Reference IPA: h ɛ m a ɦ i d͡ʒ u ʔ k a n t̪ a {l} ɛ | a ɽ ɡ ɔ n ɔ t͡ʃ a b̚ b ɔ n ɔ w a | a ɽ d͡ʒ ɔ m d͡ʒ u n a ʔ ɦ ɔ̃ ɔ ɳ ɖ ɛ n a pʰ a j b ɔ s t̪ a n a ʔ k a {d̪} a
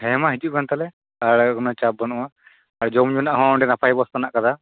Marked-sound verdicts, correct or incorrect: correct, correct

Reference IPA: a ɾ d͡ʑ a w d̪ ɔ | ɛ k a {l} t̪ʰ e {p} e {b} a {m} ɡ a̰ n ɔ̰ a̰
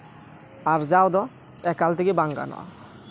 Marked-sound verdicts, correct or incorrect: correct, incorrect, correct, incorrect

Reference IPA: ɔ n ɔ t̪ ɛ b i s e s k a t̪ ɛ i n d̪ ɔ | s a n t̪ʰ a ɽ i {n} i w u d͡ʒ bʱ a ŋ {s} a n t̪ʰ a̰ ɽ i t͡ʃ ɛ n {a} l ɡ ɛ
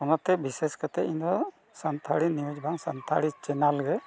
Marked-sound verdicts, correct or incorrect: correct, correct, correct

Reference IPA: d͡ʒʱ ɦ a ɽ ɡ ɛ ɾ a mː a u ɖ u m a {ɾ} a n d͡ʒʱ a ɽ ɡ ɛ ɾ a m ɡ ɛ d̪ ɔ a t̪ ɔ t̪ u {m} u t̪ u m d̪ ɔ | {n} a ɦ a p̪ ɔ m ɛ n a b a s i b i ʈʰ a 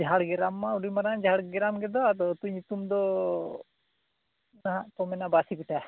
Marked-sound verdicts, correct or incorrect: correct, incorrect, correct

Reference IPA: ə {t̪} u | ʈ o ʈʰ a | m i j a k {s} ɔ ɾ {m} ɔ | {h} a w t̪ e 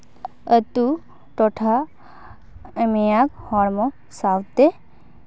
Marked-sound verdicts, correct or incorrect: correct, incorrect, correct, incorrect

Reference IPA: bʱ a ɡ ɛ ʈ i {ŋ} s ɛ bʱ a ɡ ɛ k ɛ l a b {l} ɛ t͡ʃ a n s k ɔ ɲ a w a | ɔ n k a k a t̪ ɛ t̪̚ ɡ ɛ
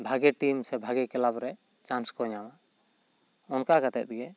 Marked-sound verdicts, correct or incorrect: incorrect, incorrect

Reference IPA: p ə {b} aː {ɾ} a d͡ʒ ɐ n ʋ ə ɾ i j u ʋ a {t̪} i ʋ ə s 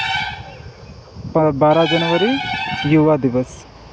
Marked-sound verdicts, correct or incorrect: correct, correct, incorrect

